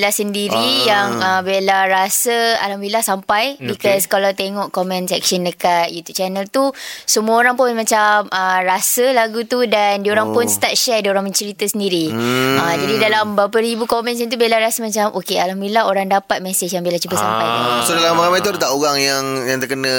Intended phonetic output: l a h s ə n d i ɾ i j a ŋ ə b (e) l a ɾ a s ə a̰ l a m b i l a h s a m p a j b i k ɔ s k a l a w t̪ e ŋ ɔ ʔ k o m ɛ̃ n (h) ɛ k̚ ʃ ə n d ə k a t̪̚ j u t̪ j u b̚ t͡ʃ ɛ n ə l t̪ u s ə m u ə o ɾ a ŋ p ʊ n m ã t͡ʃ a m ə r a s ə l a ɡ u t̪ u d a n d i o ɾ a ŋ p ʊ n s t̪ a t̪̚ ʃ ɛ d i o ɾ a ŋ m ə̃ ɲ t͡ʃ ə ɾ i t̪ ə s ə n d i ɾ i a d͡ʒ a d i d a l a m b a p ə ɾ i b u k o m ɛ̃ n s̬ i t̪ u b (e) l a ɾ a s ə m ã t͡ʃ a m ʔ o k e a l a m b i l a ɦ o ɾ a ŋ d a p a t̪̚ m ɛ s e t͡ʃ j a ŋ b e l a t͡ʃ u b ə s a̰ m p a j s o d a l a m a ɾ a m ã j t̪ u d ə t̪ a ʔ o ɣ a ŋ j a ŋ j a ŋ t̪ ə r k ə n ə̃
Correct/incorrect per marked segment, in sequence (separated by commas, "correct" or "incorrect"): correct, incorrect, correct